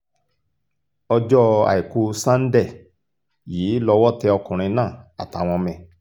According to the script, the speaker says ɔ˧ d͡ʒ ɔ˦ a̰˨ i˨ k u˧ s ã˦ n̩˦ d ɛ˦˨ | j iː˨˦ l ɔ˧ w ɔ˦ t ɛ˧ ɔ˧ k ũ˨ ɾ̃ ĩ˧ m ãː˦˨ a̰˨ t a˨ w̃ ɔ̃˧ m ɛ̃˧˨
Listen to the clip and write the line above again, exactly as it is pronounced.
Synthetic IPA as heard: ɔ˧ d͡ʒ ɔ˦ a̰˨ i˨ k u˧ s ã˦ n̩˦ d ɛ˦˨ | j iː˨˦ l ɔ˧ w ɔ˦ t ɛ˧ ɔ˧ k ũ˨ ɾ̃ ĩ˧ n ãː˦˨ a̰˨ t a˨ w̃ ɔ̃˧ m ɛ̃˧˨